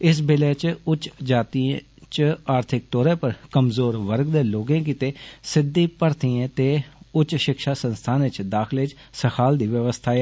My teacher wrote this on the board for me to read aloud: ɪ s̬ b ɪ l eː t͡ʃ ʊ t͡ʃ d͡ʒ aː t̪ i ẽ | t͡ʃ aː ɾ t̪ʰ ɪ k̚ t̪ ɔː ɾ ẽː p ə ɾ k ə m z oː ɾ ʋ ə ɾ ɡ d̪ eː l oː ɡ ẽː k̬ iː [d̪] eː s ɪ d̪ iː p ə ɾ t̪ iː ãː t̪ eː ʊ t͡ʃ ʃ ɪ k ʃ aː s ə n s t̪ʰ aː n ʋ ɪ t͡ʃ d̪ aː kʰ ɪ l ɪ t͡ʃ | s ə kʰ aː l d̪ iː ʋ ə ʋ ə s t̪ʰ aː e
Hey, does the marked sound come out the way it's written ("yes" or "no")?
no